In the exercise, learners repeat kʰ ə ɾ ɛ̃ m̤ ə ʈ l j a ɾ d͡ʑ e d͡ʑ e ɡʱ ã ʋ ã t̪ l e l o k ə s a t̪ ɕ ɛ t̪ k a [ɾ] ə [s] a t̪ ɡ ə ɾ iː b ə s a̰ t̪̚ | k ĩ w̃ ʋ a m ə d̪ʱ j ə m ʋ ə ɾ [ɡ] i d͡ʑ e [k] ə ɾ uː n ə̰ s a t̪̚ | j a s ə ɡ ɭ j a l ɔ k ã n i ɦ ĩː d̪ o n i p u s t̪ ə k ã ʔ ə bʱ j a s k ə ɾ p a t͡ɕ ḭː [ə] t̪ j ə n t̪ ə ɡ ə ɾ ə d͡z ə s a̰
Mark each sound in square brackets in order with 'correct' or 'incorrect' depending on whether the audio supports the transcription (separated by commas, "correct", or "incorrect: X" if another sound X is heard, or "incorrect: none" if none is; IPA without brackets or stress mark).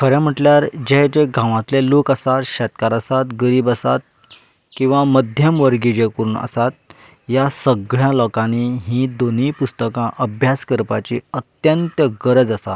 correct, correct, correct, correct, correct